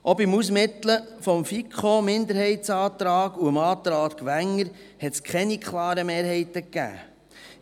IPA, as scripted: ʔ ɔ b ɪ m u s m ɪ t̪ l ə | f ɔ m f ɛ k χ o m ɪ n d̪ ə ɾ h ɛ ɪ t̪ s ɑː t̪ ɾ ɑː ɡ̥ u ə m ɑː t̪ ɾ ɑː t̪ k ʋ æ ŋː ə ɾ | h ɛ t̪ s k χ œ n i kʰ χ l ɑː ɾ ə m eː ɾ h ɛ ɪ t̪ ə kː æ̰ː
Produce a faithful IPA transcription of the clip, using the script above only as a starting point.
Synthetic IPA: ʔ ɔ b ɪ m u s m ɪ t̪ l ə | f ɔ m f i k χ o m ɪ n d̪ ə ɾ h ɛ ɪ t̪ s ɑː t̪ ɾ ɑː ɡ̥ u ə m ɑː t̪ ɾ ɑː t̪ k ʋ æ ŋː ə ɾ | h ɛ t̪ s k χ ɛ n i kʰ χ l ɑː ɾ ə m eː ɾ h ɛ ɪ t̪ ə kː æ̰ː